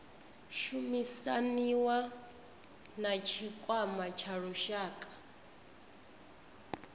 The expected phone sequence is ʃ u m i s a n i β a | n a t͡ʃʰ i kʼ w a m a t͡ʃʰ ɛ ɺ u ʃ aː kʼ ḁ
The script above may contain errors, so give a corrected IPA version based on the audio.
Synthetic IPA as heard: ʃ u m i s a n i w a | n a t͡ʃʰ i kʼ w a m a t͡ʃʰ a ɺ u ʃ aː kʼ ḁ

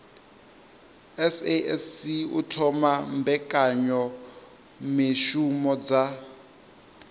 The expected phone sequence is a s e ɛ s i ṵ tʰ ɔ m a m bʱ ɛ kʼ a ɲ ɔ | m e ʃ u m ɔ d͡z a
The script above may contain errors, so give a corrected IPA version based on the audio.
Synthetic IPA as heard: ɛ s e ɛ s i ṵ tʰ ɔ m a m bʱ ɛ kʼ a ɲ ɔ | m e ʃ u m ɔ d͡z a

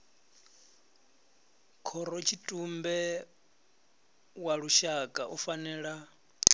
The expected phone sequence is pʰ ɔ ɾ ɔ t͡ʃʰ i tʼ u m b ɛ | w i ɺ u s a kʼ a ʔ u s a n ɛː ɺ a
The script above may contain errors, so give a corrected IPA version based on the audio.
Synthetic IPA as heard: kʰ ɔ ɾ ɔ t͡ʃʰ i tʼ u m b ɛ | w a ɺ u ʃ a kʼ a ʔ u f a n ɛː ɺ a

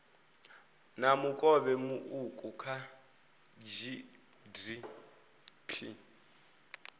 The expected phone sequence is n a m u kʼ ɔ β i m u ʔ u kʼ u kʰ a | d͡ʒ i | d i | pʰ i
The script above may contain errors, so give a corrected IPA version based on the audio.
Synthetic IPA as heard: n a m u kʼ ɔ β ɛ m u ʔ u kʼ u kʰ a | d͡ʒ i | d i | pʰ i

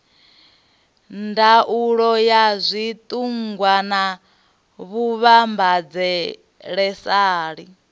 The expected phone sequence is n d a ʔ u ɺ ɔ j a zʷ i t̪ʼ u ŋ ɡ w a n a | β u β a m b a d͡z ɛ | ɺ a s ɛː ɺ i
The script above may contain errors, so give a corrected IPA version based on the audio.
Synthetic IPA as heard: n d a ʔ u ɺ ɔ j a zʷ i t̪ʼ u ŋ ɡ w a n a | β u β a m b a d͡z ɛ | ɺ ɛ s aː ɺ i

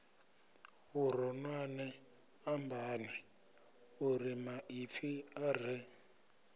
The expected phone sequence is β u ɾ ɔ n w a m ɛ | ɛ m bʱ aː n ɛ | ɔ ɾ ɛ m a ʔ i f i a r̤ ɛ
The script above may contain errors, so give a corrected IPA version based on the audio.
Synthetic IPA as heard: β u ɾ ɔ n w a n ɛ | a m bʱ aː n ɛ | u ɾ i m a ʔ i f i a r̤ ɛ

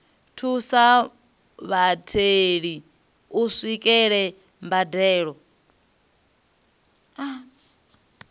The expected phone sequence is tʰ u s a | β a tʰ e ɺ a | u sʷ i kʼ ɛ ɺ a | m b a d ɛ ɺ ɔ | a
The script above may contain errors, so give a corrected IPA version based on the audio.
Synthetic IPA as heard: tʰ u s a | β a tʰ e ɺ i | u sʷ i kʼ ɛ ɺ ɛ | m b a d ɛː ɺ ɔ | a

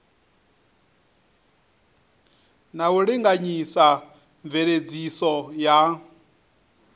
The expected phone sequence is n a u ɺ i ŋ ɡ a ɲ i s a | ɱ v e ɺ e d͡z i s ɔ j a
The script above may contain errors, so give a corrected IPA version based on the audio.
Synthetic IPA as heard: n a u ɺ i ŋ ɡ a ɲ i s a | ɱ v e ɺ e d͡z i s ɔ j a

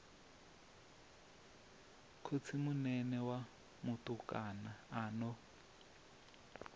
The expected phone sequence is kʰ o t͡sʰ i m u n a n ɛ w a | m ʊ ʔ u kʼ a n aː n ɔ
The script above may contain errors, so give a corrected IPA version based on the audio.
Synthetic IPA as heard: kʰ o t͡sʰ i m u n ɛ n ɛ w a | m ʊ t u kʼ a n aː n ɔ

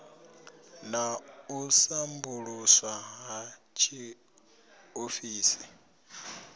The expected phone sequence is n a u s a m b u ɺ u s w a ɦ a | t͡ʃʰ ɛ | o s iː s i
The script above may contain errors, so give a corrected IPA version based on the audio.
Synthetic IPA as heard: n a u s a m b u ɺ u s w a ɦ a | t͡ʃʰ i | o f iː s i

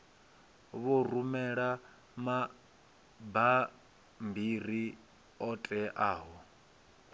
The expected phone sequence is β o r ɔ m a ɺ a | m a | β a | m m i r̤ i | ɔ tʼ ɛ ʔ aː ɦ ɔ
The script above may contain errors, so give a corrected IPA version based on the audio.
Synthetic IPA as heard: β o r u m ɛ ɺ a | m a | b a | m b i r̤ i | ɔ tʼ ɛ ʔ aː ɦ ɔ

